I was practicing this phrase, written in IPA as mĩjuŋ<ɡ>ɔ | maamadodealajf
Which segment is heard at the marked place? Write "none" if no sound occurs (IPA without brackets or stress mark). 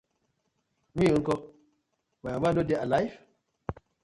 k